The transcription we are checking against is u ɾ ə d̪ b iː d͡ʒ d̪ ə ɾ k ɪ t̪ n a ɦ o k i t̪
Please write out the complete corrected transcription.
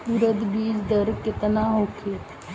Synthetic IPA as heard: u ɾ ə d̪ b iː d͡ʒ d̪ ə ɾ k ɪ t̪ n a ɦ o kʰ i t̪